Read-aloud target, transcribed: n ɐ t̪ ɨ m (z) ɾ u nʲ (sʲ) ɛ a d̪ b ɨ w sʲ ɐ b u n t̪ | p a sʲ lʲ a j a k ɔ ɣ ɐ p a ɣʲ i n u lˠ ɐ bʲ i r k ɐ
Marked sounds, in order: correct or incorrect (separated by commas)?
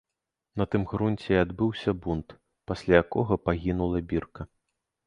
incorrect, incorrect